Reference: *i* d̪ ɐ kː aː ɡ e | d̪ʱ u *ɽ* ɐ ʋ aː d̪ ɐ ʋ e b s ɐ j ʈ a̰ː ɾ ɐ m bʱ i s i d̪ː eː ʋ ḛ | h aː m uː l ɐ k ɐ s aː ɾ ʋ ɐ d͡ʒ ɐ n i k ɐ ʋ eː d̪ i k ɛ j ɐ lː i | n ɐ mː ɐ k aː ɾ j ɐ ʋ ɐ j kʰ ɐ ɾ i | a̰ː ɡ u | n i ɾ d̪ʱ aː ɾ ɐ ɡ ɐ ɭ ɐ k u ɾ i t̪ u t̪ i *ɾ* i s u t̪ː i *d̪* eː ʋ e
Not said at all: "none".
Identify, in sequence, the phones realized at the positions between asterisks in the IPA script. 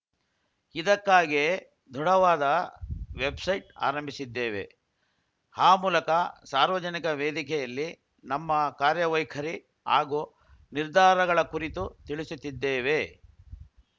i, ɽ, ɭ, d̪ː

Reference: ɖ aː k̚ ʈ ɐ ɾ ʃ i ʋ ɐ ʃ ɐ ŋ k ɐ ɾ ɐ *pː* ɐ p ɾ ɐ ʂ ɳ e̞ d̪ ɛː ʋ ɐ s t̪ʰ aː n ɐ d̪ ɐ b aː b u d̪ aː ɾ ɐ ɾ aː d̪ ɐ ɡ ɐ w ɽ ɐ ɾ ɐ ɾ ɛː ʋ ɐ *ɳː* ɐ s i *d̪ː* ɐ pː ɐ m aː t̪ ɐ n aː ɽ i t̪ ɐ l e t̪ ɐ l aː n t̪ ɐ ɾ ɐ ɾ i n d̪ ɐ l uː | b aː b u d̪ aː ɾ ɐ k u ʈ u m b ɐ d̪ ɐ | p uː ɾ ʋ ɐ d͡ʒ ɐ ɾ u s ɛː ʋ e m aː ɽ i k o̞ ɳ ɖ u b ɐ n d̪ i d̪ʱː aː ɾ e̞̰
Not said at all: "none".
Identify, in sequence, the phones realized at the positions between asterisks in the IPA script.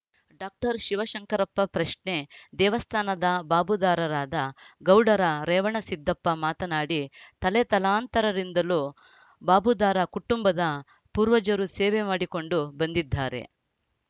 pː, ɳ, d̪ː

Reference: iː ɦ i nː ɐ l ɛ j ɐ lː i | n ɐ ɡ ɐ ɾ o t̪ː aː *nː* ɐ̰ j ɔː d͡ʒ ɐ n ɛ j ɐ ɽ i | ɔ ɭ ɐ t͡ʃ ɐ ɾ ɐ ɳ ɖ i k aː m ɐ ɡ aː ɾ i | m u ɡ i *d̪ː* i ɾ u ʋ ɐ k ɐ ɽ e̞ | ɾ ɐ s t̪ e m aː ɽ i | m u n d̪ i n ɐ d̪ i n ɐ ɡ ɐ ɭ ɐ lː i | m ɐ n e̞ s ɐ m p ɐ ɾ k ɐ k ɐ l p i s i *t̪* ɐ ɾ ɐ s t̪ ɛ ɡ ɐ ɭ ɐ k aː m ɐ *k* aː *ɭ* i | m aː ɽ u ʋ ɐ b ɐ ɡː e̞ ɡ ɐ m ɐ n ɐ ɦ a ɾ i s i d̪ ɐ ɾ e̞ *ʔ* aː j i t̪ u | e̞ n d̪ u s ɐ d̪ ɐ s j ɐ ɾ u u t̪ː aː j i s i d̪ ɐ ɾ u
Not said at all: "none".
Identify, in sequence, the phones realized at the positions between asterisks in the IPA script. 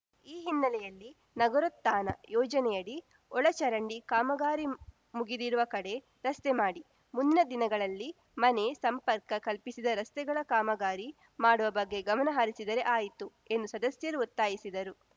n, d̪, d̪, ɡ, ɾ, ʔ

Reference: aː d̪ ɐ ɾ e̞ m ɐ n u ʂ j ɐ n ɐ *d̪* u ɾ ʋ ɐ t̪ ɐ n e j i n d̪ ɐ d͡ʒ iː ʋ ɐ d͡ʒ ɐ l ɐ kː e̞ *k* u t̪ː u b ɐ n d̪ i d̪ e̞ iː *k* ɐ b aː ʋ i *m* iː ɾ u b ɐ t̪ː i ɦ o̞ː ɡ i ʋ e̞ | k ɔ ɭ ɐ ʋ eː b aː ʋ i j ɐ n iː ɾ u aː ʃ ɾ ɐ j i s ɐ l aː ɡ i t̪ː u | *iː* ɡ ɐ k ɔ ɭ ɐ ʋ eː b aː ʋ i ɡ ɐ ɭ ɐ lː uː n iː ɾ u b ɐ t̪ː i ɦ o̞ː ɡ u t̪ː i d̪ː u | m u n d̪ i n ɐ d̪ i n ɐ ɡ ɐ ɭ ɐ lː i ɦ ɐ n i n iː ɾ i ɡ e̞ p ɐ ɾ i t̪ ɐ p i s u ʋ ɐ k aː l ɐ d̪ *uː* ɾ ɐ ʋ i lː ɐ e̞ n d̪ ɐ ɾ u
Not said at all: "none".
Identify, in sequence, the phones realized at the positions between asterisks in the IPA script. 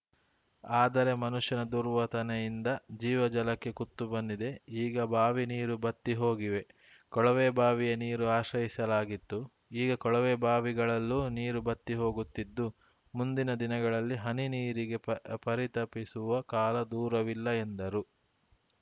d̪, k, ɡ, n, iː, uː

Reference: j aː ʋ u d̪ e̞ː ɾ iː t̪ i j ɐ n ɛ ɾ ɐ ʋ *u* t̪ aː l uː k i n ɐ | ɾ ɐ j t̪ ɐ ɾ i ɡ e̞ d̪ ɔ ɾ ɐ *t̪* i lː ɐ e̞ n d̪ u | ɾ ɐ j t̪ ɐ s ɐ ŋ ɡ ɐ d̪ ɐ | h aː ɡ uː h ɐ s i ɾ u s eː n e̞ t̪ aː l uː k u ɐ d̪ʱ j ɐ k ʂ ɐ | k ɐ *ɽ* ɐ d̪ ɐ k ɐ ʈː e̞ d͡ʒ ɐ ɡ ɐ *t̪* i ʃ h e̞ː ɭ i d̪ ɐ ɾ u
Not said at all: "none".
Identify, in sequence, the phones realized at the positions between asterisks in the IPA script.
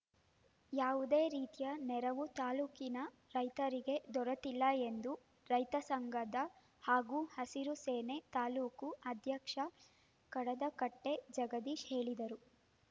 u, t̪, ɽ, d̪

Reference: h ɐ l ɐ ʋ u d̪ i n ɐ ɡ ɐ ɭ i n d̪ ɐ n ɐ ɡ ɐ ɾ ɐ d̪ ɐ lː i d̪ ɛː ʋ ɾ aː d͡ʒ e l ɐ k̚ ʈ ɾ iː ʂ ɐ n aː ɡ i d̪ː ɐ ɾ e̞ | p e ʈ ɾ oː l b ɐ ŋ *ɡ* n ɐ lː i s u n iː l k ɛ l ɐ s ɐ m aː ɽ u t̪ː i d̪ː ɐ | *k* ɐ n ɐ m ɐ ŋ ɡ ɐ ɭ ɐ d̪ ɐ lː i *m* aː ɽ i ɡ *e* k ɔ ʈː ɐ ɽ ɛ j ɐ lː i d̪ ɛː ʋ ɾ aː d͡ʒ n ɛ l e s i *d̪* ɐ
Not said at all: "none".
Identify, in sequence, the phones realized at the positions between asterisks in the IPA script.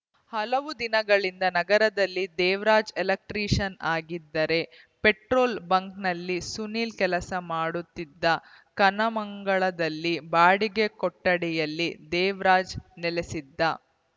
k, k, b, e, d̪ː

